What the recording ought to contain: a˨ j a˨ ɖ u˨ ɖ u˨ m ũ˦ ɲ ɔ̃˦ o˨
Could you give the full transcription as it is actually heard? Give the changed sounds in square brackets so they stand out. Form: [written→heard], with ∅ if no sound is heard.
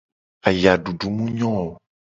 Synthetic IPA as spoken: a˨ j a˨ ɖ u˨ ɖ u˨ m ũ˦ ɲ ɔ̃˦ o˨